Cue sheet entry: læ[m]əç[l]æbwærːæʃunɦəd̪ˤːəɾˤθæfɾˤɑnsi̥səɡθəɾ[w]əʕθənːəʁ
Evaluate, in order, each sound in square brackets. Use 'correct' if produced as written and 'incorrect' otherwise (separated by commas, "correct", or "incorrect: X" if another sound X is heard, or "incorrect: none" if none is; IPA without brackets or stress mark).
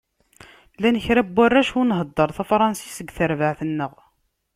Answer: incorrect: n, incorrect: ɾ, incorrect: v